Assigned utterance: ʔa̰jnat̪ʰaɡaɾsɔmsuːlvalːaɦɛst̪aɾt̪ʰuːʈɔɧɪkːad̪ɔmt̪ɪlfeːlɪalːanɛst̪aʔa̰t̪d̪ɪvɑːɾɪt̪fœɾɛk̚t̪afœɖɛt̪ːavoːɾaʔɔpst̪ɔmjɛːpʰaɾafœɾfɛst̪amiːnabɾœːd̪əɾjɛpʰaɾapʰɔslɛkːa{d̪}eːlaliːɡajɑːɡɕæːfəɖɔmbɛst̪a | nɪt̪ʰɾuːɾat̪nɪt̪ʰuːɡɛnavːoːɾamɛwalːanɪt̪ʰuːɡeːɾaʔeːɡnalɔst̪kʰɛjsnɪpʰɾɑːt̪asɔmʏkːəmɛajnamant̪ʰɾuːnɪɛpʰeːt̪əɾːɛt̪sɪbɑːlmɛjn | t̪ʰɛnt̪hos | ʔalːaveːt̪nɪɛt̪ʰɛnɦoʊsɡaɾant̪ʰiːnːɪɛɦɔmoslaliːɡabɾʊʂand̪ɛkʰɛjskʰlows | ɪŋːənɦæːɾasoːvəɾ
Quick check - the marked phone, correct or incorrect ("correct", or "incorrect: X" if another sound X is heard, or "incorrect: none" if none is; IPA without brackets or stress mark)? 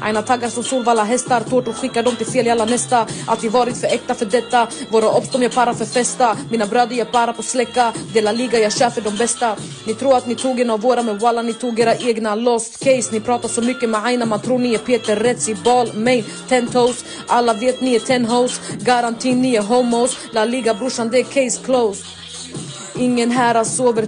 correct